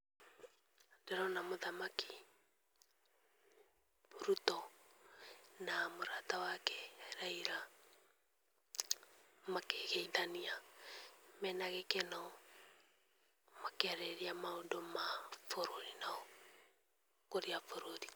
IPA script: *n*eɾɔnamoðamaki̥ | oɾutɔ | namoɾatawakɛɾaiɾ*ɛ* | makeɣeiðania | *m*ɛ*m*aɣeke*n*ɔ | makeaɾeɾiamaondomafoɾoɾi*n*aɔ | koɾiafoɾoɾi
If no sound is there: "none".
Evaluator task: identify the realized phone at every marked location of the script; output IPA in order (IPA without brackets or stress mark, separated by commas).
d, a, m, n, n, n